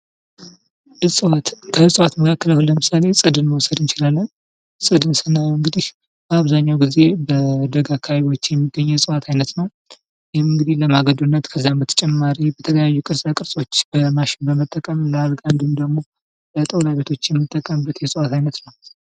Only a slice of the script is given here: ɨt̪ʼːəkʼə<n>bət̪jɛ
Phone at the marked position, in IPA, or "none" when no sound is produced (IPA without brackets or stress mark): m